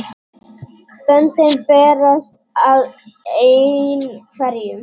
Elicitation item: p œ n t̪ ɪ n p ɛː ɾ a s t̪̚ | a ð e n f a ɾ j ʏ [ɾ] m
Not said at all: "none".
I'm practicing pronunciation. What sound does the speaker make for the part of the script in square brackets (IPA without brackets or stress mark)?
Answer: none